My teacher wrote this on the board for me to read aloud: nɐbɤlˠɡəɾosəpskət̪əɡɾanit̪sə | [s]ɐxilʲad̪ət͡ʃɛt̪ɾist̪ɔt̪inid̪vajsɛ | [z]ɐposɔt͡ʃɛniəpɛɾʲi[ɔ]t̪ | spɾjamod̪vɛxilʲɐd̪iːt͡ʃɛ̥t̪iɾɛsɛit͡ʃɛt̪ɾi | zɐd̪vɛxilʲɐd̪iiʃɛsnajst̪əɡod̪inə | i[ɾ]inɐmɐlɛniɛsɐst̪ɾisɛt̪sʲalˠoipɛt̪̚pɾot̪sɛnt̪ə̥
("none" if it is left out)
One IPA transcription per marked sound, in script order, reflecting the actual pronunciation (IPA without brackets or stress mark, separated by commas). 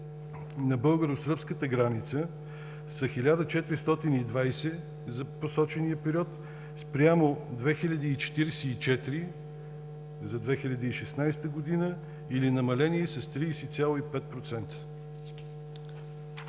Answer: s, z, ɔ, l